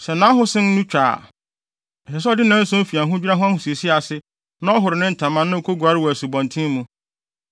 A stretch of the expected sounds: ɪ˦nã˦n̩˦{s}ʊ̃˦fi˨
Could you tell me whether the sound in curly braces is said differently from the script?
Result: no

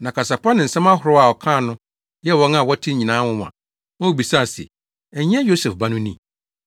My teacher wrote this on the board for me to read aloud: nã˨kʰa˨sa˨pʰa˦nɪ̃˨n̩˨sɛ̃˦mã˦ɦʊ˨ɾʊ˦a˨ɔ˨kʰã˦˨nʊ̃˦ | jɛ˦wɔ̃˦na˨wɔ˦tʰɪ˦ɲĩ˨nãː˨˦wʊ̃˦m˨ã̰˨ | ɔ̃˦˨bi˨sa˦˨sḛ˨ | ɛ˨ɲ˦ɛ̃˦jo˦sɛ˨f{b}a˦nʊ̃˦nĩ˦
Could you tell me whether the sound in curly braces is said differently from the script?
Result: no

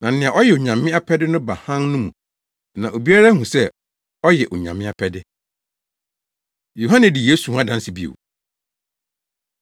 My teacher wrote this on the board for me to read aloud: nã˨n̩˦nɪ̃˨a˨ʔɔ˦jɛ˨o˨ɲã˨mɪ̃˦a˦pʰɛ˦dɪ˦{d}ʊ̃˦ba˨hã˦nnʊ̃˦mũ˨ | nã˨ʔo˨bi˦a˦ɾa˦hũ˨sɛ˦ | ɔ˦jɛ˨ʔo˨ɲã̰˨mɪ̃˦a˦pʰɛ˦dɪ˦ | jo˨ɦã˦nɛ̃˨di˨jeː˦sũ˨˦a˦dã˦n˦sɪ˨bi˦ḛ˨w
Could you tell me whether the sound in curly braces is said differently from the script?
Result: yes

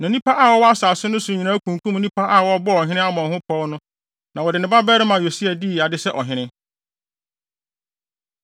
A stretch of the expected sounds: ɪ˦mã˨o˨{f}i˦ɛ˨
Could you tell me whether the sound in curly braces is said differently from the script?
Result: yes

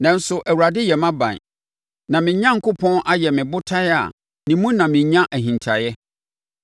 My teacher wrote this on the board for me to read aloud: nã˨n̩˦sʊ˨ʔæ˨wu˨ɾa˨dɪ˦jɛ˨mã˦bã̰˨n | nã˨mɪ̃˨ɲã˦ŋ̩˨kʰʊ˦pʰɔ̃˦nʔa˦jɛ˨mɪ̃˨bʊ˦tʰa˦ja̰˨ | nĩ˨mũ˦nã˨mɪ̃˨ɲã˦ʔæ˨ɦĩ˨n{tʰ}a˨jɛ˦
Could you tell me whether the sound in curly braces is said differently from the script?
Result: no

